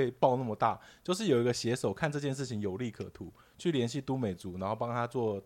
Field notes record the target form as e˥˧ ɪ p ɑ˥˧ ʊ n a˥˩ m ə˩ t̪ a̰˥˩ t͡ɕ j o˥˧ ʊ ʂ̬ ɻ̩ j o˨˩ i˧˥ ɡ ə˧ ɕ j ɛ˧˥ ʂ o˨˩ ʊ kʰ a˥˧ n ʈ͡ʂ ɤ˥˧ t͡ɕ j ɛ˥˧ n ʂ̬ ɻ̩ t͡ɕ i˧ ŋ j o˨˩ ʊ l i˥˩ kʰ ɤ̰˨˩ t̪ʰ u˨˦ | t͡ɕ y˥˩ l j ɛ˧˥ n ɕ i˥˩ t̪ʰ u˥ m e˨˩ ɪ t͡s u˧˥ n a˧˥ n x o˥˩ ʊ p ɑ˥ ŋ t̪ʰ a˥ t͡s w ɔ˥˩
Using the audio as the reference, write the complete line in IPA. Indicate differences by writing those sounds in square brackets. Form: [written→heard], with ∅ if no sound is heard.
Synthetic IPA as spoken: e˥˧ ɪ p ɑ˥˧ ʊ n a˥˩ m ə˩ t̪ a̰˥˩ t͡ɕ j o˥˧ ʊ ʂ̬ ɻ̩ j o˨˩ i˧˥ ɡ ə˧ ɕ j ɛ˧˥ ʂ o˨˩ ʊ kʰ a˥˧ n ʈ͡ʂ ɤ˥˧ t͡ɕ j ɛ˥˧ n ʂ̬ ɻ̩ [t͡ɕ→t͡ɕʰ] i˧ ŋ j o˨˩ ʊ l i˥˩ kʰ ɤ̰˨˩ t̪ʰ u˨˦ | [t͡ɕ→t͡ɕʰ] y˥˩ l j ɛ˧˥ n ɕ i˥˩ [t̪ʰ→t̪] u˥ m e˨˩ ɪ t͡s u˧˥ n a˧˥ n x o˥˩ ʊ p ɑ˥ ŋ t̪ʰ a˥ t͡s w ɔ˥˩